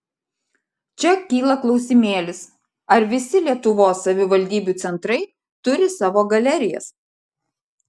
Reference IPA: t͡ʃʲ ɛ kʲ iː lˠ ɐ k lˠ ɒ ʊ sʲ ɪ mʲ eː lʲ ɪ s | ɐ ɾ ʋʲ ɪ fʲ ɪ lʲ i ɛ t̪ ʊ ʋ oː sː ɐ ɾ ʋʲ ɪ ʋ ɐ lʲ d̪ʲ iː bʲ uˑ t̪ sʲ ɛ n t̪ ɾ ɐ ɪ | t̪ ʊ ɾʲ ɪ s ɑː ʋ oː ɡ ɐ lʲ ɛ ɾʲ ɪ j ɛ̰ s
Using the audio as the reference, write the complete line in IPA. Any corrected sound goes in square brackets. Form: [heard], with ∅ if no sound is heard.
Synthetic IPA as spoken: t͡ʃʲ ɛ kʲ iː lˠ ɐ k lˠ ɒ ʊ sʲ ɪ mʲ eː lʲ ɪ s | ɐ ɾ ʋʲ ɪ [sʲ] ɪ lʲ i ɛ t̪ ʊ ʋ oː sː ɐ [∅] ʋʲ ɪ ʋ ɐ lʲ d̪ʲ iː bʲ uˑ t̪ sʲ ɛ n t̪ ɾ ɐ ɪ | t̪ ʊ ɾʲ ɪ s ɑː ʋ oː ɡ ɐ lʲ ɛ ɾʲ ɪ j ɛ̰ s